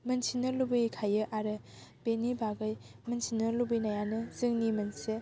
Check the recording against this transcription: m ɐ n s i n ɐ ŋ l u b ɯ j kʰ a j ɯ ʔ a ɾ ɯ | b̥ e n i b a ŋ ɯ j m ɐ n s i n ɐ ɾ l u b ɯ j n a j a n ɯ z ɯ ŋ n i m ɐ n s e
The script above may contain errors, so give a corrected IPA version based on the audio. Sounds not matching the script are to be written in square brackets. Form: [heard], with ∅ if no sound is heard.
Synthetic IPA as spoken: m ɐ n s i n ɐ [∅] l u b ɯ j kʰ a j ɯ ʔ a ɾ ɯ | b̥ e n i b a [ɡ] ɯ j m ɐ n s i n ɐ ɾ l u b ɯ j n a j a n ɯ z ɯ ŋ n i m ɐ n s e